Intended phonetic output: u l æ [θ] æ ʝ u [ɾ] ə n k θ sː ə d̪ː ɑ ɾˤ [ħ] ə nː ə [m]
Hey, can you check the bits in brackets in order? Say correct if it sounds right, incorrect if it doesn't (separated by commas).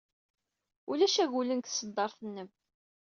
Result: incorrect, incorrect, incorrect, correct